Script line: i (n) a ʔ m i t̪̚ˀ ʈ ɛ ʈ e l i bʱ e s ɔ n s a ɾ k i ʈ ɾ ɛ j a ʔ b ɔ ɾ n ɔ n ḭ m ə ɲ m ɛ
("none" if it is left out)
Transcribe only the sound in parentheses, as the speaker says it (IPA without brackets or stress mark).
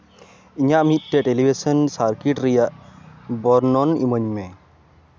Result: ɲ